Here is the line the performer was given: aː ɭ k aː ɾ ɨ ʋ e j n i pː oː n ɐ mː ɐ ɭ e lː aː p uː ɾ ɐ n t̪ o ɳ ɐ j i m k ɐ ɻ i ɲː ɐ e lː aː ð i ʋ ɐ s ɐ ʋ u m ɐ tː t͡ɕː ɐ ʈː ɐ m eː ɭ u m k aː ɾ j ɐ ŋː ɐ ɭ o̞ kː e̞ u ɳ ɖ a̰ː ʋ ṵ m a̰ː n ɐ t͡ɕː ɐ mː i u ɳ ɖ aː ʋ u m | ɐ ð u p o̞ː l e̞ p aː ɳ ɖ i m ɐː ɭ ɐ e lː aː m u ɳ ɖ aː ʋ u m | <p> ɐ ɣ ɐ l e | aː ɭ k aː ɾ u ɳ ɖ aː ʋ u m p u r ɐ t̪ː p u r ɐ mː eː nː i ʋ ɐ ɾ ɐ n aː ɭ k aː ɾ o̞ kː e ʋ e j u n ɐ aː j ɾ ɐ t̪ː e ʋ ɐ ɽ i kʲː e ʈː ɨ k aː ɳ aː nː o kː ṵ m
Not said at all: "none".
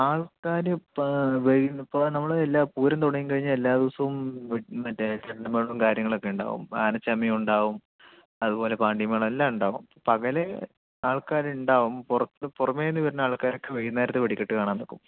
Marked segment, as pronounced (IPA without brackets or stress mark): p